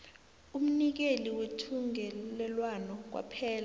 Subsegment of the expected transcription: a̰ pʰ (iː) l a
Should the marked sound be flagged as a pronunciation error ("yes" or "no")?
yes